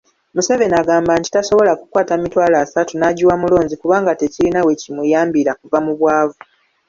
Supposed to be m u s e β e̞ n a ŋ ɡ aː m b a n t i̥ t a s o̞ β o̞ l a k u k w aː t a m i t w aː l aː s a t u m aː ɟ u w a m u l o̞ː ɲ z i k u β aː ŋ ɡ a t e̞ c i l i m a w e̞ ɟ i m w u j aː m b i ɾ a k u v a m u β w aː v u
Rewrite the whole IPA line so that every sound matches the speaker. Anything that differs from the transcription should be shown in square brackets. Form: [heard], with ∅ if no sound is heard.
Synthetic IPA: m u s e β e̞ n a [∅] ɡ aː m b a n t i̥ t a s o̞ β o̞ l a k u k w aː t a m i t w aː l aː s a t u [n] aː ɟ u w a m u l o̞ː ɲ z i k u β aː ŋ ɡ a t e̞ c i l i [n] a w e̞ [c] i m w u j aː m b i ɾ a k u v a m u β w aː v u